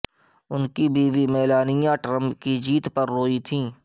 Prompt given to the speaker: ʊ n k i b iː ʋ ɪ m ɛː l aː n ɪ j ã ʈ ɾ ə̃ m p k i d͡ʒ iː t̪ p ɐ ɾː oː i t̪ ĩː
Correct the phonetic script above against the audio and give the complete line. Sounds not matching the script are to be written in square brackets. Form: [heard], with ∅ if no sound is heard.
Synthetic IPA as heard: ʊ n k i b iː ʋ [i] m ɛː l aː n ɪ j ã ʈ ɾ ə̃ m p k i d͡ʒ iː t̪ p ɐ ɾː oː i [t̪ʰ] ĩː